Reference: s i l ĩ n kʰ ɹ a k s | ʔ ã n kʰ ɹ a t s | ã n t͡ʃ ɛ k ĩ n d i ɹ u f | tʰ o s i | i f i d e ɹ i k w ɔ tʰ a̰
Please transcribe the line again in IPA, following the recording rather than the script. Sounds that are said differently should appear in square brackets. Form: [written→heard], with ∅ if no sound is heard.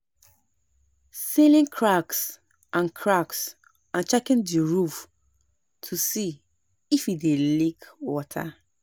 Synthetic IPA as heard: s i l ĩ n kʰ ɹ a k s | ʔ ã n kʰ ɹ a [t→k] s | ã n t͡ʃ ɛ k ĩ n d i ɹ u f | tʰ [o→u] s i | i f i d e [ɹ→l] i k w ɔ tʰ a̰